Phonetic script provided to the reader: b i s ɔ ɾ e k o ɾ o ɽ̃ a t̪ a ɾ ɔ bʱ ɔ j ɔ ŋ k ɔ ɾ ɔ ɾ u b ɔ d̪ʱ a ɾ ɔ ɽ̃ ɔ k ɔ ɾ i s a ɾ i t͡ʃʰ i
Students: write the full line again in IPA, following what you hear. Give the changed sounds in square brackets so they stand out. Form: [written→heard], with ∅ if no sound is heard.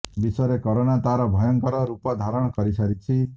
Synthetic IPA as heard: b i s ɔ ɾ e k [o→ɔ] ɾ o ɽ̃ a t̪ a ɾ ɔ bʱ ɔ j ɔ ŋ k ɔ ɾ ɔ ɾ u [b→p] ɔ d̪ʱ a ɾ ɔ ɽ̃ ɔ k ɔ ɾ i s a ɾ i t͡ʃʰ i